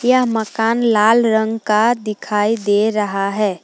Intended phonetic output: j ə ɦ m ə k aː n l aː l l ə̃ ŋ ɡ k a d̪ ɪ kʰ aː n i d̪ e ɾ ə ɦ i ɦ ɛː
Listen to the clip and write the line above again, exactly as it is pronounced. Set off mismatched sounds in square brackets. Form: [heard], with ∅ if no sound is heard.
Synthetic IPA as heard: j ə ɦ m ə k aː n l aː l [ɾ] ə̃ ŋ ɡ k a d̪ ɪ kʰ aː [∅] i d̪ e ɾ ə ɦ [a] ɦ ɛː